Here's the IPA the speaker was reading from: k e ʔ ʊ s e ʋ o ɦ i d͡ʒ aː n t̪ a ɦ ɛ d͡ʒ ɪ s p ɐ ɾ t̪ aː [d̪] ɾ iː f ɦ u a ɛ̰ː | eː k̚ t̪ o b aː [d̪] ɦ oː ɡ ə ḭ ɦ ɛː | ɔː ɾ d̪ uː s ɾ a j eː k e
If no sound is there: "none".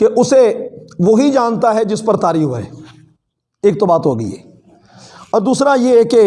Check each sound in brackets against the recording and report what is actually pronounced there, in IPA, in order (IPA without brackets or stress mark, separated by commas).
none, t̪